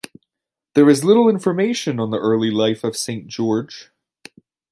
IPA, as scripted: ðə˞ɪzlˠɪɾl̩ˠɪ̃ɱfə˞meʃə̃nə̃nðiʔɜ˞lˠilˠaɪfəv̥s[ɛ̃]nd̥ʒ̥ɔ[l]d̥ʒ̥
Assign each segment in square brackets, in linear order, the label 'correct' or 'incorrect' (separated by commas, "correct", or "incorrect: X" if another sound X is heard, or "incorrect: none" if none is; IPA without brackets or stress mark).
incorrect: ẽ, incorrect: ɹ